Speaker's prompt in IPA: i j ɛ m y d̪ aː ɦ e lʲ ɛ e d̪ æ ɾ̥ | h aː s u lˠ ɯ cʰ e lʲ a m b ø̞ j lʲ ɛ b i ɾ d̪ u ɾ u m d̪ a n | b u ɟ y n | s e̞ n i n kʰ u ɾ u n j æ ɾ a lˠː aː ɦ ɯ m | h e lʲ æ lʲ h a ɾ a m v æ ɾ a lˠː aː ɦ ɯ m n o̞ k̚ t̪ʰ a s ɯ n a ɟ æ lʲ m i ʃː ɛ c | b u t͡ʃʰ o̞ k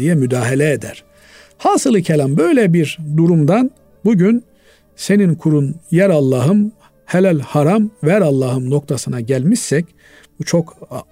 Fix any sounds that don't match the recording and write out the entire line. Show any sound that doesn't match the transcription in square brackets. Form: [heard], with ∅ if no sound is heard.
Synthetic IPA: i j ɛ m y d̪ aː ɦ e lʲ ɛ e d̪ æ ɾ̥ | h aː s [ɯ] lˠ ɯ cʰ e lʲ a m b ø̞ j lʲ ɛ b i ɾ d̪ u ɾ u m d̪ a n | b u ɟ y n | s e̞ n i n kʰ u ɾ u n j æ ɾ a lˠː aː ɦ ɯ m | h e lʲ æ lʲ h a ɾ a m v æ ɾ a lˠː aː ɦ ɯ m n o̞ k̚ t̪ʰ a s ɯ n a ɟ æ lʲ m i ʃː ɛ c | b u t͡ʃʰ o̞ k